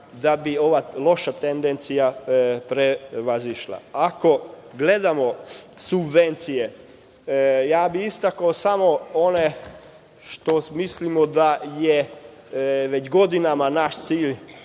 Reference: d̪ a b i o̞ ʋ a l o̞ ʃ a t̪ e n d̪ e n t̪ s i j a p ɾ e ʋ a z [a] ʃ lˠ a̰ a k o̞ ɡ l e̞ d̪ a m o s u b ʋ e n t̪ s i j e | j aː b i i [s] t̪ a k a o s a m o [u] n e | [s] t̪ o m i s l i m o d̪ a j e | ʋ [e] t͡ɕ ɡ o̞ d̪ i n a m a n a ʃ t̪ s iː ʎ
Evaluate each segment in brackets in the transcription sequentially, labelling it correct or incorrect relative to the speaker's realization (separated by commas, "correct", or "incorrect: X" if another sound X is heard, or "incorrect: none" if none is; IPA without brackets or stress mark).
incorrect: i, correct, incorrect: o, incorrect: ʃ, correct